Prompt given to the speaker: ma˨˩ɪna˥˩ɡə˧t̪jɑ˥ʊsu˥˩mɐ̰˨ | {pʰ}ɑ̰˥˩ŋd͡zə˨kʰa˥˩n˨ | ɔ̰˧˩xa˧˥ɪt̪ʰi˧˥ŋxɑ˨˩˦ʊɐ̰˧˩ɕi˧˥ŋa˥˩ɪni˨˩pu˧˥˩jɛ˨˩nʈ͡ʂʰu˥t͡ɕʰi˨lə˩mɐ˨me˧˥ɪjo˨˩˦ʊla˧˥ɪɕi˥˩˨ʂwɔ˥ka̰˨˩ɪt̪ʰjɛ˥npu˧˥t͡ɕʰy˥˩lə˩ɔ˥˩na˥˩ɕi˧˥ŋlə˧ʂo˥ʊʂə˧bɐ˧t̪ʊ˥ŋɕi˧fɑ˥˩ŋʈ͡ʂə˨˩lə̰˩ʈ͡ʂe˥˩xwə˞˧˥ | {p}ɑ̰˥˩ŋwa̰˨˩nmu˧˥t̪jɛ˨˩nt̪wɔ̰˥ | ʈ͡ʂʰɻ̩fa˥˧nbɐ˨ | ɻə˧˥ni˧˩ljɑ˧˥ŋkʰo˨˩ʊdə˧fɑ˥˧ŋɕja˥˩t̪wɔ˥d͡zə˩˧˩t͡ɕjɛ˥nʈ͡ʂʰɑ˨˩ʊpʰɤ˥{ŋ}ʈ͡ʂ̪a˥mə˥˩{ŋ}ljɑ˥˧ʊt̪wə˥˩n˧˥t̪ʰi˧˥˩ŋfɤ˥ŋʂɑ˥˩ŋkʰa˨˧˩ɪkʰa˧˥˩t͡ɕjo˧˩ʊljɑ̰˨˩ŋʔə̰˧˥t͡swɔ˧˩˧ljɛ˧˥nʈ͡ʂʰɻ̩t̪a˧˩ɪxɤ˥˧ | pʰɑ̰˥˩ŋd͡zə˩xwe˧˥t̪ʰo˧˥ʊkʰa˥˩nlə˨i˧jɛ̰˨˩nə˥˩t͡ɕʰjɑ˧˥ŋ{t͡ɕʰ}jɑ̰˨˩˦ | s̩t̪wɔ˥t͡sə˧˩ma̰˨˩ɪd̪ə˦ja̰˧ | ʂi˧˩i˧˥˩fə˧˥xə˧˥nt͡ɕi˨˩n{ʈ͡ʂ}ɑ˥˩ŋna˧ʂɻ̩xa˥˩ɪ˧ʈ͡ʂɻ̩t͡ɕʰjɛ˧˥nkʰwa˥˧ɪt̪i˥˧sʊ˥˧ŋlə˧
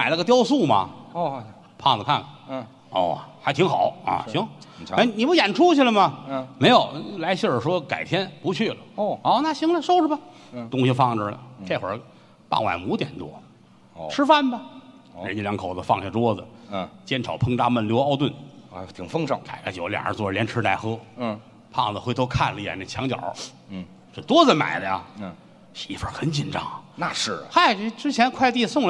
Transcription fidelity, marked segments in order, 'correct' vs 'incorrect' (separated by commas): correct, correct, correct, incorrect, incorrect, correct